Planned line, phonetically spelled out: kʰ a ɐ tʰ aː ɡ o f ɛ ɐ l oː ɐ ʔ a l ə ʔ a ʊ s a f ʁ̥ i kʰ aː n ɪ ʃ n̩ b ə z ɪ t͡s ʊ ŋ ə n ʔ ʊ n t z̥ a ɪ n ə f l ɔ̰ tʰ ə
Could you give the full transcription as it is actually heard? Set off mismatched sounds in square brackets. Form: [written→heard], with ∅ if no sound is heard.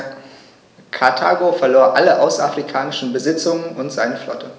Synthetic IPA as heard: kʰ a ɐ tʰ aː ɡ o f ɛ ɐ l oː ɐ ʔ a l ə ʔ a ʊ s a f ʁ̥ i kʰ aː n ɪ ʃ n̩ b ə z ɪ t͡s ʊ ŋ ə n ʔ ʊ n t z̥ a ɪ n ə f l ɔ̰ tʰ ə